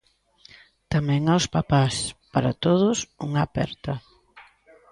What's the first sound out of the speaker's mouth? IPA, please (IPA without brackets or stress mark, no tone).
t̪